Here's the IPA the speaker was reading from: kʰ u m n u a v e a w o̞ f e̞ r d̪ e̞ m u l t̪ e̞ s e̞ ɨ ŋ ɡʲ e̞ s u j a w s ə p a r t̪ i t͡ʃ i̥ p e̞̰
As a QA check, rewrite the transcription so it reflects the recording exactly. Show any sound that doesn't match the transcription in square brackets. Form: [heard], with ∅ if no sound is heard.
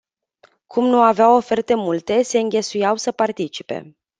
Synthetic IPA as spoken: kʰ u m n u a v e a w o̞ f e̞ r [t̪] e̞ m u l t̪ e̞ s e̞ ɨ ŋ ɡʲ e̞ s u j a w s ə p a r t̪ i t͡ʃ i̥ p e̞̰